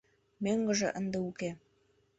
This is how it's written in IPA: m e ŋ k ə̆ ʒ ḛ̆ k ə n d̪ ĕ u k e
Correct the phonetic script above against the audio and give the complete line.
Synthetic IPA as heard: m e ŋ ɡ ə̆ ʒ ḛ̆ ʔ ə n d̪ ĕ u k e